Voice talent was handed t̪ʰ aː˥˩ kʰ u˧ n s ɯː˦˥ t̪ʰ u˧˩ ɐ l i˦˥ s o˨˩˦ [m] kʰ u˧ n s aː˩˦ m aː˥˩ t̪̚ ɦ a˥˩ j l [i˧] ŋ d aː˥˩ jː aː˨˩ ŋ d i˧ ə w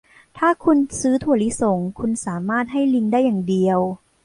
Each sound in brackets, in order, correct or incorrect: incorrect, correct

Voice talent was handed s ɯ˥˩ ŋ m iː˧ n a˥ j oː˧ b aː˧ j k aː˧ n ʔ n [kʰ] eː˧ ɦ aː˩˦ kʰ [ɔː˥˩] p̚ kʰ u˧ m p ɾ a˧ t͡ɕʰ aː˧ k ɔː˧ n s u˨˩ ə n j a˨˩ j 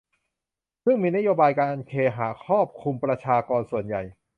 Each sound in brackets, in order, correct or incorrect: correct, correct

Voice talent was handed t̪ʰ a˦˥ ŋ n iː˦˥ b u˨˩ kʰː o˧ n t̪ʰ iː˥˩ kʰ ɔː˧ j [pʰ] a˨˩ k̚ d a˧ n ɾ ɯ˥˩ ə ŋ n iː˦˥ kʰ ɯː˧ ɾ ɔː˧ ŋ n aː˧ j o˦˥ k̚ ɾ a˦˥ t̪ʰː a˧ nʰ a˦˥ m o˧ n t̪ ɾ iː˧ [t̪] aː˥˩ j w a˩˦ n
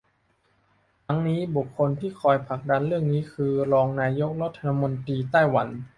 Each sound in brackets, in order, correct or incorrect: correct, correct

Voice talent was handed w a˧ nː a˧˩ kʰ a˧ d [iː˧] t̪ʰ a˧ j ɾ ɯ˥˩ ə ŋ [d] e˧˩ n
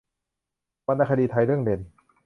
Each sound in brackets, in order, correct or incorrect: correct, correct

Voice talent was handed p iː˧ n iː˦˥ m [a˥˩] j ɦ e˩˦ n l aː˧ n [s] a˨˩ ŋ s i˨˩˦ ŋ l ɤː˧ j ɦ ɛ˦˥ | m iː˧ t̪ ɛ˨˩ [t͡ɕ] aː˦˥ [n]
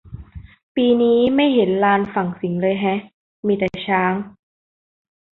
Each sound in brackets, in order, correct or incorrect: correct, incorrect, incorrect, incorrect

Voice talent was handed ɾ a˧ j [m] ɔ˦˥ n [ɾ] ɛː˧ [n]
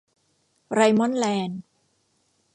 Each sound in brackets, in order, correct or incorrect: correct, incorrect, correct

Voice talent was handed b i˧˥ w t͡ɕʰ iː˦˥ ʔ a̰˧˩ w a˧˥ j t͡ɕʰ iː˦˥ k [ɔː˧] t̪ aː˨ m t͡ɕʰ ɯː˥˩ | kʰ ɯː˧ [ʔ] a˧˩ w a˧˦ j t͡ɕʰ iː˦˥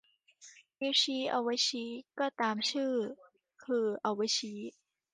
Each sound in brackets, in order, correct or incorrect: incorrect, correct

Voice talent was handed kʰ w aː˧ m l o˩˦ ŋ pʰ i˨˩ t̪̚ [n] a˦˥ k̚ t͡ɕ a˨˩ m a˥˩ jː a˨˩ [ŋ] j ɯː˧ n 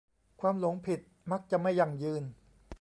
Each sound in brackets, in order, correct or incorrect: incorrect, correct

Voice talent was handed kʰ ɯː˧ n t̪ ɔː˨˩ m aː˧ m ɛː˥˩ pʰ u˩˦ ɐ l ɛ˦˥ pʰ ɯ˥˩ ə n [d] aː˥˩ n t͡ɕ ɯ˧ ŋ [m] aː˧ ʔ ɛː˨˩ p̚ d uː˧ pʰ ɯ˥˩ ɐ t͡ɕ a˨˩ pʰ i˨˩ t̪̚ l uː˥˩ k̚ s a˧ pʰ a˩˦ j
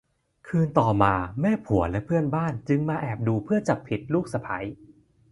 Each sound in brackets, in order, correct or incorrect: incorrect, correct

